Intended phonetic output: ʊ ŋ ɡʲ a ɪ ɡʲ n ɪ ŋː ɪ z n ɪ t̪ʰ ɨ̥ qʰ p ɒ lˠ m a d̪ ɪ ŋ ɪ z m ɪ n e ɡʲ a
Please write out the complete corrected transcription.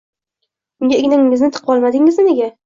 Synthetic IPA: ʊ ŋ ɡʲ a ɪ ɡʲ n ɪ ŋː ɪ z n ɪ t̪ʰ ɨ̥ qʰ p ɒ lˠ m a d̪ ɪ ŋ ɪ z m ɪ n e ɡʲ a